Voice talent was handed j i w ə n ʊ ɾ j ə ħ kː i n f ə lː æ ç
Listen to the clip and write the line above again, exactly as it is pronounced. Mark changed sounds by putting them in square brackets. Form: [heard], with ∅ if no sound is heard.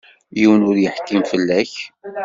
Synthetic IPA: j i w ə n ʊ ɾ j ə ħ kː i [m] f ə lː æ ç